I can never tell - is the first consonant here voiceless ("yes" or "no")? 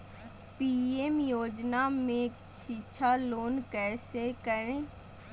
yes